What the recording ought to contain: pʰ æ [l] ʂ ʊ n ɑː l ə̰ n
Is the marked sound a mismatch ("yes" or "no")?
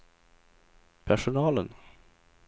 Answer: yes